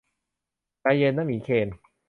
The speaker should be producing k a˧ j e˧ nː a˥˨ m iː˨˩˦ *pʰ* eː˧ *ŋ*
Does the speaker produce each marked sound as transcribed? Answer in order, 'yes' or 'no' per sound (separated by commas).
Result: no, no